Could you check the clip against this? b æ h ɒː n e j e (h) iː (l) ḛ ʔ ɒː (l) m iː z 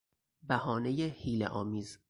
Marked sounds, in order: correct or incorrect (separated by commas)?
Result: correct, correct, incorrect